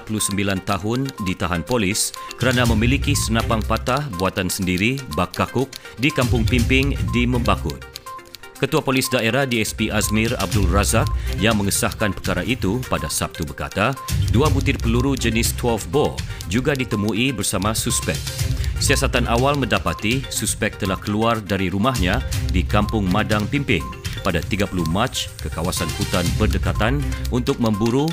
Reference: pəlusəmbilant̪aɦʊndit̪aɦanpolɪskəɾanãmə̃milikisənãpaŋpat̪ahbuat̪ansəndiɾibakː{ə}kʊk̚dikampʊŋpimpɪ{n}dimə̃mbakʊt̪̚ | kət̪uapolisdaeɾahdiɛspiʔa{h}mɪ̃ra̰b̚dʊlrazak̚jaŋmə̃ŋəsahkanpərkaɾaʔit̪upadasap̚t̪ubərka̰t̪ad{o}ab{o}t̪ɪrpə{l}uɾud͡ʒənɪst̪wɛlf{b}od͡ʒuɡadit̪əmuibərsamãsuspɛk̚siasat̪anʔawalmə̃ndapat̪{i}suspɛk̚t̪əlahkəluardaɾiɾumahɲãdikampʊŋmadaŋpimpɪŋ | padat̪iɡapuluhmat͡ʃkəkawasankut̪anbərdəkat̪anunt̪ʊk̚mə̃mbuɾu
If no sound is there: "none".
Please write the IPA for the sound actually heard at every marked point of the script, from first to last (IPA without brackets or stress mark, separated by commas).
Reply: a, ŋ, s, u, u, l, b, i